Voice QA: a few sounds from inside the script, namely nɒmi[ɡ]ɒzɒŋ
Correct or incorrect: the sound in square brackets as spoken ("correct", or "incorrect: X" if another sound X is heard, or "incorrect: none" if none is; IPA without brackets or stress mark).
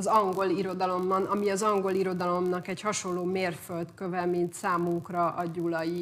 incorrect: none